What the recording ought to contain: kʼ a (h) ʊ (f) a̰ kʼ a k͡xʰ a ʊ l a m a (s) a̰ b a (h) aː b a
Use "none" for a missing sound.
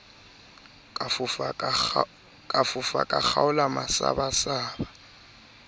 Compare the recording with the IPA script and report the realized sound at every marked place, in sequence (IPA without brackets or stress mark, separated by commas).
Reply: f, f, s, s